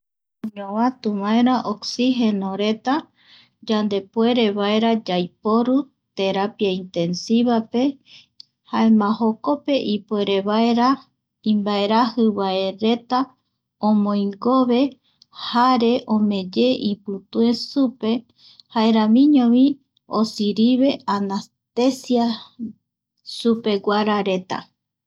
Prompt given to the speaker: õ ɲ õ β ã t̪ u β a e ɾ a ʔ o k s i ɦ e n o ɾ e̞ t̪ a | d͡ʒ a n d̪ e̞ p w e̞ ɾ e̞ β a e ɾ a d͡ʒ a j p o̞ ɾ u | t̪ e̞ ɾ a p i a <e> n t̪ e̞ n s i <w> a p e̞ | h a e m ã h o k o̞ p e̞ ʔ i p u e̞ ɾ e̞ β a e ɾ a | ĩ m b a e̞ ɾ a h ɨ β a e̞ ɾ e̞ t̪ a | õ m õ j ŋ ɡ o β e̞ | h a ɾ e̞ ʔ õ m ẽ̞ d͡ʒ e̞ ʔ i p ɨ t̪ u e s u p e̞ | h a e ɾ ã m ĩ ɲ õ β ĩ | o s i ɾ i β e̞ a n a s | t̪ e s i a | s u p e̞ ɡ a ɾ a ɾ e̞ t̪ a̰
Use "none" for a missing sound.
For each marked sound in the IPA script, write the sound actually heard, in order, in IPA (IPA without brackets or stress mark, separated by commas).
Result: i, β